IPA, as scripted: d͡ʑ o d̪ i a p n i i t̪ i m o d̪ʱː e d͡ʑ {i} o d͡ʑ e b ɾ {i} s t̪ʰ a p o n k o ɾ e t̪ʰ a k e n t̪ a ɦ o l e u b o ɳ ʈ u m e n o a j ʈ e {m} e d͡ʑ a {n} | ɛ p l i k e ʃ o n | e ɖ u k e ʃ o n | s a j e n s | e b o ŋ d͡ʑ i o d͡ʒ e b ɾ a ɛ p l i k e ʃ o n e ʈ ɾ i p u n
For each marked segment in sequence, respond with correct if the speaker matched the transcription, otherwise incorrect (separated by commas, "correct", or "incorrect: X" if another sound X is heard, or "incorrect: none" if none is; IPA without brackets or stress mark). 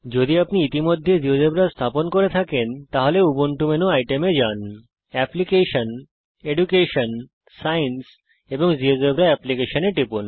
correct, incorrect: a, correct, correct